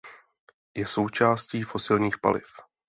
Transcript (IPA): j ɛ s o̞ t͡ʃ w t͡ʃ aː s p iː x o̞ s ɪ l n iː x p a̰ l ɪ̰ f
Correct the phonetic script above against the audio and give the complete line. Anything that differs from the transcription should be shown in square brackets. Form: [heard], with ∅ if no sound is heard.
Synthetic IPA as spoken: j ɛ s o̞ [∅] w t͡ʃ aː s [c] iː [f] o̞ s ɪ l [ɲ] iː x p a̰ l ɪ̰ f